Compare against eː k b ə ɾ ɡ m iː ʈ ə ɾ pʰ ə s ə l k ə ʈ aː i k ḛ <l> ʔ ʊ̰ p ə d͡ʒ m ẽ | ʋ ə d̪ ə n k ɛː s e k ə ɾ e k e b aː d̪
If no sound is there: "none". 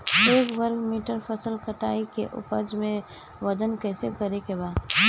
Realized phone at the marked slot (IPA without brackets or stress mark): none